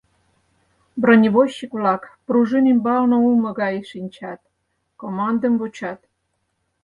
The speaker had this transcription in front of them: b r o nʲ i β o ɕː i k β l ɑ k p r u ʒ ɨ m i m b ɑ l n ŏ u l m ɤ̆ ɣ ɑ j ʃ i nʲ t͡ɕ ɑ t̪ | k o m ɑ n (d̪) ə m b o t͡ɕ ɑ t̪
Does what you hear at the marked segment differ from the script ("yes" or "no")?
no